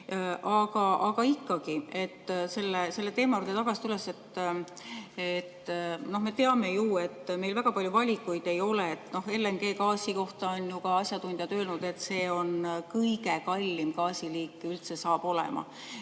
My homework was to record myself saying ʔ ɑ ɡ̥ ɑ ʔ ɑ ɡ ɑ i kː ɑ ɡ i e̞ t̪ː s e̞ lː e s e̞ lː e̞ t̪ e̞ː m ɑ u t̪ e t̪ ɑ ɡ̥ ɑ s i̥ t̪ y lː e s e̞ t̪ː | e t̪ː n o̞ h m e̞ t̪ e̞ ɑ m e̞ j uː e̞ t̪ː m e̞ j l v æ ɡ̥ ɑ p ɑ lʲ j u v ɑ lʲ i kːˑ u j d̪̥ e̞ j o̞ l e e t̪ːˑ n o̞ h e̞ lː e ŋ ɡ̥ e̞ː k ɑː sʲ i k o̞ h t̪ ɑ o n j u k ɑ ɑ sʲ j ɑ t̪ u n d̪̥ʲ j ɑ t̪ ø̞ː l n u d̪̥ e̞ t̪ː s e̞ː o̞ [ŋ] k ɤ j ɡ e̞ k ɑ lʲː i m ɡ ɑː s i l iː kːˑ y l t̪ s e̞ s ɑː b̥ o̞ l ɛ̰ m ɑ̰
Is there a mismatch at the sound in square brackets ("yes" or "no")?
yes